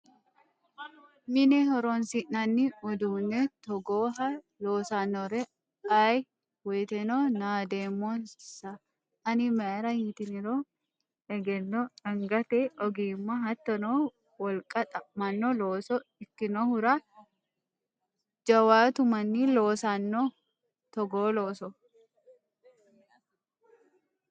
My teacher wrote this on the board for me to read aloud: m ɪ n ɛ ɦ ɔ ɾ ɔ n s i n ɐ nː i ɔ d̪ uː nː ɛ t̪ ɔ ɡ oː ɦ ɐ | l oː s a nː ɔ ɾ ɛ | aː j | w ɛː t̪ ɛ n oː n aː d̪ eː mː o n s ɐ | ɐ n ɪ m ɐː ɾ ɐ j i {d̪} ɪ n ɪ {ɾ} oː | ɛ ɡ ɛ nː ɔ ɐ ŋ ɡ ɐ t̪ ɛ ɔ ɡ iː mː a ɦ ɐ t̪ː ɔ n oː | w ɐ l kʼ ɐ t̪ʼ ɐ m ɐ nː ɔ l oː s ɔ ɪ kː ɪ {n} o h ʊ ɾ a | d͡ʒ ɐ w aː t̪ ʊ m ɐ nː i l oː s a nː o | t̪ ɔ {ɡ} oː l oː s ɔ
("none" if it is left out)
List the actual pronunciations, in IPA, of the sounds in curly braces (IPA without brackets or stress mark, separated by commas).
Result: t̪, ɾ, n, ɡ